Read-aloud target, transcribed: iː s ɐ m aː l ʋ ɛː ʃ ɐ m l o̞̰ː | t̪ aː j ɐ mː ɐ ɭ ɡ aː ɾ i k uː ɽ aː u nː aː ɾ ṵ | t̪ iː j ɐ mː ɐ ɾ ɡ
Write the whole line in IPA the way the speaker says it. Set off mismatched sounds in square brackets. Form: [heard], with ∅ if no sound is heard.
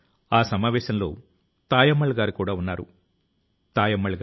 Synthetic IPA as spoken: [aː] s ɐ m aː [∅] ʋ ɛː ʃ ɐ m l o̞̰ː | t̪ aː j ɐ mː ɐ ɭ ɡ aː ɾ i k uː ɽ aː u nː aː ɾ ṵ | t̪ [aː] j ɐ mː ɐ [ɭ] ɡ